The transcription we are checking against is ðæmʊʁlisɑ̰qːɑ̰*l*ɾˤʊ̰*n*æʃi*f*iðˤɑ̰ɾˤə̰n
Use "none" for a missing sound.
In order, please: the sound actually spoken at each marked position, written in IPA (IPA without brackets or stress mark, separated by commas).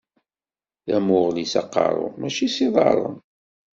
none, m, s